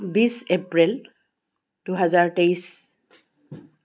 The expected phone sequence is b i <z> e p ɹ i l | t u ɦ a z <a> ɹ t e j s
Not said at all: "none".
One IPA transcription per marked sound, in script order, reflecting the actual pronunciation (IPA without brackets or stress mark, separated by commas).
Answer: s, a